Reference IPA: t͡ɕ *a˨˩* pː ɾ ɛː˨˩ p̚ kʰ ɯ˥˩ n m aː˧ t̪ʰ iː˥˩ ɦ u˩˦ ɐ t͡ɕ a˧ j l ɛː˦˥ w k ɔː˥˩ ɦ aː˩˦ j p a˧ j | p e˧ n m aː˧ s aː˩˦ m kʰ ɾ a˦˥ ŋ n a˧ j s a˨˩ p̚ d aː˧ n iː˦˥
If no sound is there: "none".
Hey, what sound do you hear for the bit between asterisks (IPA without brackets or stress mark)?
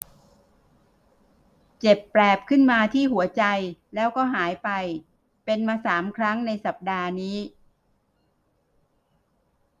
e˨˩